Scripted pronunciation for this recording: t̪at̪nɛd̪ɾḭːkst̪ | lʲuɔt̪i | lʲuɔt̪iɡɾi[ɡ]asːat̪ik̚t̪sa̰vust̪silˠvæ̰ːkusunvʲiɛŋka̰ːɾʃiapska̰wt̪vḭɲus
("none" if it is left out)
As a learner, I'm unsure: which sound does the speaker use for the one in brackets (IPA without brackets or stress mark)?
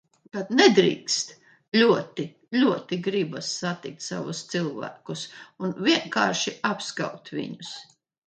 b